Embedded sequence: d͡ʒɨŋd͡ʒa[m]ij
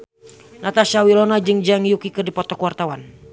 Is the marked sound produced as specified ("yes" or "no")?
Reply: no